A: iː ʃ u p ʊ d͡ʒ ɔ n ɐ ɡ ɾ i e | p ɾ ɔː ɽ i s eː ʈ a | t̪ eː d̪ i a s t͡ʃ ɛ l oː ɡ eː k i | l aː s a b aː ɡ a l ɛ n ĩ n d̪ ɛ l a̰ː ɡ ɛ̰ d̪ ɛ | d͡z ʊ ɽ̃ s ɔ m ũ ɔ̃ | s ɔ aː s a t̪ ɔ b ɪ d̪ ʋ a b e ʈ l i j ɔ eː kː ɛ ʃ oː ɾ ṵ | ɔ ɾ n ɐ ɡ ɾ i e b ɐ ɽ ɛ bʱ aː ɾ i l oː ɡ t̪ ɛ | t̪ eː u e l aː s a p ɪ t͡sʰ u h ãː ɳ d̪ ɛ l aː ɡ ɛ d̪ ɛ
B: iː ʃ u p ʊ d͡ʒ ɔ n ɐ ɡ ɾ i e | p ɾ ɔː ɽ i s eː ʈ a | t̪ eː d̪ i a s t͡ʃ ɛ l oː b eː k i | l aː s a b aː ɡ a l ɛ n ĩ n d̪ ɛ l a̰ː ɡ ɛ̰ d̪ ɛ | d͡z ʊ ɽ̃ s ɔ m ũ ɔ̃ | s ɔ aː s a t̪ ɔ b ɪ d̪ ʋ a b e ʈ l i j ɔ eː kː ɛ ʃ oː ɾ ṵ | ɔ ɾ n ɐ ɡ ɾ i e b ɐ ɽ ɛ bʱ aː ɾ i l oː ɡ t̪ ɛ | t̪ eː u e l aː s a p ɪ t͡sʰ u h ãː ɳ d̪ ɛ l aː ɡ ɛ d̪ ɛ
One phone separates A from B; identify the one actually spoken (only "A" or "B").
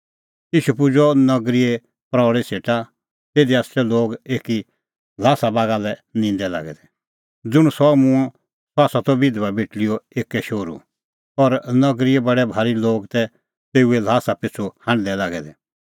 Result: A